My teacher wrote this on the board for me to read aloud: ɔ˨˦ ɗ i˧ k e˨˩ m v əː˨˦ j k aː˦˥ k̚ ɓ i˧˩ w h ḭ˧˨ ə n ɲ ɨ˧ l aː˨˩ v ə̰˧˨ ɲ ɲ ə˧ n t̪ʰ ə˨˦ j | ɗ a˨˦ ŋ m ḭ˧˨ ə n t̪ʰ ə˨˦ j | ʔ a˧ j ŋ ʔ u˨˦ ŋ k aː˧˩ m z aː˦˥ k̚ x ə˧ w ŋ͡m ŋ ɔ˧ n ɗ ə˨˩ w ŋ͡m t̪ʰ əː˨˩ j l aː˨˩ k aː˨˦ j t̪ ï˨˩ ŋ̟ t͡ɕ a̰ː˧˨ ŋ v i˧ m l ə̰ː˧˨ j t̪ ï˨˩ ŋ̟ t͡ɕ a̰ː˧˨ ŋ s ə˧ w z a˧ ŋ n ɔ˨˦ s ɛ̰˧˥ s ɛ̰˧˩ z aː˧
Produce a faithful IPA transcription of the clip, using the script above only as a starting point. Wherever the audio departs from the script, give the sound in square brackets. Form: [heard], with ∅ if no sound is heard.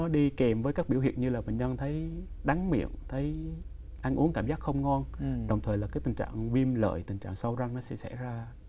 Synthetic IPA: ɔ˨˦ ɗ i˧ k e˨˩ m v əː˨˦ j k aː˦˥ k̚ ɓ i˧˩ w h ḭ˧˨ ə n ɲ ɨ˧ l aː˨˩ v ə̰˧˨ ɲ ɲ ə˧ n t̪ʰ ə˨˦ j | ɗ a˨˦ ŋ m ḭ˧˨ ə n t̪ʰ ə˨˦ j | ʔ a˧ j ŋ ʔ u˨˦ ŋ k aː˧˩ m z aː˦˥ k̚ x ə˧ w ŋ͡m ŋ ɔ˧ n ɗ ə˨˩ w ŋ͡m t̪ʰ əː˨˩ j l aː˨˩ k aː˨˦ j t̪ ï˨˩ ŋ̟ t͡ɕ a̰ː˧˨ ŋ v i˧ m l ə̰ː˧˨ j t̪ ï˨˩ ŋ̟ t͡ɕ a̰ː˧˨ ŋ s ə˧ w z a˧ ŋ n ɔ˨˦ s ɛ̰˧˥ s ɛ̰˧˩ z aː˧